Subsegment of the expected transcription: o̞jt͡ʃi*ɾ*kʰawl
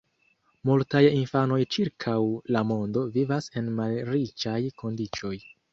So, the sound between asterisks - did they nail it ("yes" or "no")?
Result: yes